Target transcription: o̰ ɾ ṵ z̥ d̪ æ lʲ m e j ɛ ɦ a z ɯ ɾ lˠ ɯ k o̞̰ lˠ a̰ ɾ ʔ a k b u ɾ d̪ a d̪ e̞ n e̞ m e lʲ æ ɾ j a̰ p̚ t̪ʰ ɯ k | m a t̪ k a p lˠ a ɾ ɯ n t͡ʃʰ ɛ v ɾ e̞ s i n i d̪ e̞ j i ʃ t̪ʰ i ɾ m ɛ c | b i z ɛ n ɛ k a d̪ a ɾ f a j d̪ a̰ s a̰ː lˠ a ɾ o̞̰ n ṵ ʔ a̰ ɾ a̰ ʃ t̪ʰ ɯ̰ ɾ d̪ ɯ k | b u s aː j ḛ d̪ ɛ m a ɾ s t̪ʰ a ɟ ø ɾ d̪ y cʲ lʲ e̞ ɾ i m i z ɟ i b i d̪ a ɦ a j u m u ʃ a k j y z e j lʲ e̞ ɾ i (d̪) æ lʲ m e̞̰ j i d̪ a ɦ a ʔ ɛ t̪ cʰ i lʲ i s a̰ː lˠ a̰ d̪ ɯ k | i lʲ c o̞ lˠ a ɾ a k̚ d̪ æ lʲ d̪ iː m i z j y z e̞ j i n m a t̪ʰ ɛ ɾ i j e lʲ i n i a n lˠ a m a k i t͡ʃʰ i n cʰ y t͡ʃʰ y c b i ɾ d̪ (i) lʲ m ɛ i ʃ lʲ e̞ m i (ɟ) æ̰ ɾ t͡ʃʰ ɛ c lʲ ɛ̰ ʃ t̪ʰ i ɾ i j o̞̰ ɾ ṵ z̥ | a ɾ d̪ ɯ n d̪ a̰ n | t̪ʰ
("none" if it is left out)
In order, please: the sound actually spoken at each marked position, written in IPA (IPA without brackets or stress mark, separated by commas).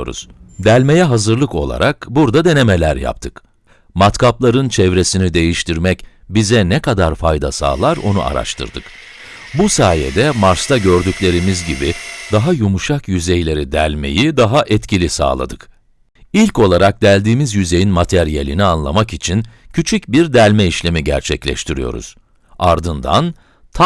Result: d̪, æ, ɟ